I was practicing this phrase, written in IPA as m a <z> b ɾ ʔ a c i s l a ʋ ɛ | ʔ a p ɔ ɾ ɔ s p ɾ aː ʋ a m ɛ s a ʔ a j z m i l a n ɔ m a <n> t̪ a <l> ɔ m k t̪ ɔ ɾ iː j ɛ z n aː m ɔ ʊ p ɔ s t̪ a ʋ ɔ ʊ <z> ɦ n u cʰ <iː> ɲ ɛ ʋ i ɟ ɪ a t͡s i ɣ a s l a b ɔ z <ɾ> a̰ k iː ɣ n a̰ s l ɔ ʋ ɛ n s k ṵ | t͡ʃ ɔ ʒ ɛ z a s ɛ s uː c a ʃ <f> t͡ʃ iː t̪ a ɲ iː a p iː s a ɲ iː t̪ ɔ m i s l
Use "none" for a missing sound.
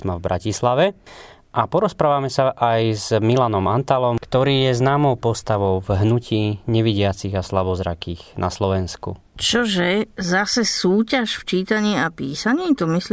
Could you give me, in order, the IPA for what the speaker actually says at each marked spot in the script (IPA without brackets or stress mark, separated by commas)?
v, n, l, v, iː, ɾ, f